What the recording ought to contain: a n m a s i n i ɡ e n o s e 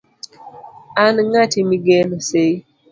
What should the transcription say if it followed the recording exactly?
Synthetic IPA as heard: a n ŋ a t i m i ɡ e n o s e